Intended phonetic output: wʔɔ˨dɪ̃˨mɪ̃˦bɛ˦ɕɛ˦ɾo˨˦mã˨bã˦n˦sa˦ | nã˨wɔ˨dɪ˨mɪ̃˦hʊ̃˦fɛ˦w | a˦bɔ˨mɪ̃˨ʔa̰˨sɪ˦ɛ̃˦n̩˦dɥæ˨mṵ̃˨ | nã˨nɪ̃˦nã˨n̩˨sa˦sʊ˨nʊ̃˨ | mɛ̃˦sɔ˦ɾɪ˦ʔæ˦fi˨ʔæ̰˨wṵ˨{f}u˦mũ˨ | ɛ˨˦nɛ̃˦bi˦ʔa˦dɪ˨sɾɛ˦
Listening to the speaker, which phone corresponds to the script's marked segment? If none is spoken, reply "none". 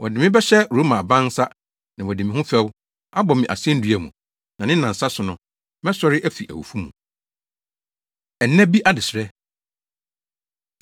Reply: f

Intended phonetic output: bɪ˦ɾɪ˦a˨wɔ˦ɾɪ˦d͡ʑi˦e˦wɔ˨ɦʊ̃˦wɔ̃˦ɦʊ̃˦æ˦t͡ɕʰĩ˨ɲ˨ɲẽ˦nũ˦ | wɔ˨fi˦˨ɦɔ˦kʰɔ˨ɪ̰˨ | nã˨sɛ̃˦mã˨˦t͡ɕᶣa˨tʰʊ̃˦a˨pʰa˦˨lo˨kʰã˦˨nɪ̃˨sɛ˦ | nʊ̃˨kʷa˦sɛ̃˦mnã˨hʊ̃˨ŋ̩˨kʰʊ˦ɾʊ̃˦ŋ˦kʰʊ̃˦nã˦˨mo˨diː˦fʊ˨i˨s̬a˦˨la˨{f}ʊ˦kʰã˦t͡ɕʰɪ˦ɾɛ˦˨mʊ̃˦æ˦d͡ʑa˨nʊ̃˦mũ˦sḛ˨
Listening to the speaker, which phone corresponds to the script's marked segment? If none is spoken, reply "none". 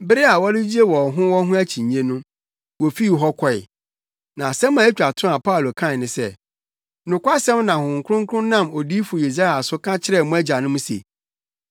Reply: s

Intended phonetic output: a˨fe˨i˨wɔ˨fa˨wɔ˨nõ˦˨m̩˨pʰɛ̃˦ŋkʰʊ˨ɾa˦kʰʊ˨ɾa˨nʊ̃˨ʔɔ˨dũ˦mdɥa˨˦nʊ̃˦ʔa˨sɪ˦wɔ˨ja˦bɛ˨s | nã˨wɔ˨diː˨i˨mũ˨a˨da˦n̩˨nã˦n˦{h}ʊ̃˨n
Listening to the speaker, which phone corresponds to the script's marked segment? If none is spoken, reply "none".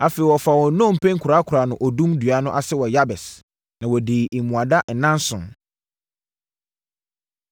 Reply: s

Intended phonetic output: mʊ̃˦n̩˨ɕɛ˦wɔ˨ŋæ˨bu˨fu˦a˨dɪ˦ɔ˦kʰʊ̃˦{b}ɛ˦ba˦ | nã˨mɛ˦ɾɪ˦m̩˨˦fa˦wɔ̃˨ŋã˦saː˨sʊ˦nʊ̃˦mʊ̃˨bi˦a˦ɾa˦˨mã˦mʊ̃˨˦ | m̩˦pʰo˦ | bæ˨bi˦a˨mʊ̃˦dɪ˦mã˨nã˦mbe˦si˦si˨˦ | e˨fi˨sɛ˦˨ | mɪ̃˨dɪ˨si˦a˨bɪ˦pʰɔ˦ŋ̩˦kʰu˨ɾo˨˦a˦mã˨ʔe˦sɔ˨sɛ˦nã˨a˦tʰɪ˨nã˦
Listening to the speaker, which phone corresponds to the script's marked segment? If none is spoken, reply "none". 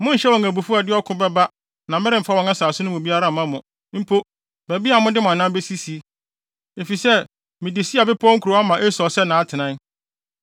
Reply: b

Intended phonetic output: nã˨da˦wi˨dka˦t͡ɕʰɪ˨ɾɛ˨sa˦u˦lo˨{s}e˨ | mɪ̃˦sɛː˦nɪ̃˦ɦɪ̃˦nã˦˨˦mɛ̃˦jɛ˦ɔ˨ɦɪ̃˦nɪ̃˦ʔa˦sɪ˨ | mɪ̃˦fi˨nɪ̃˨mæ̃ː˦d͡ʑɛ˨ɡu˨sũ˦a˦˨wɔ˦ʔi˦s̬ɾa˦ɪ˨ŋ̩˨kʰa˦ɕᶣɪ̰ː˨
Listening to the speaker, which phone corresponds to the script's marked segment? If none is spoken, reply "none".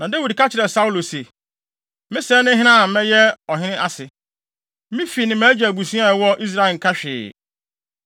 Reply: s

